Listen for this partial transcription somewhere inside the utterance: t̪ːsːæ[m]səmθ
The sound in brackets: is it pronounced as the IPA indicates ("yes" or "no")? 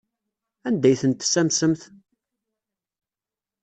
yes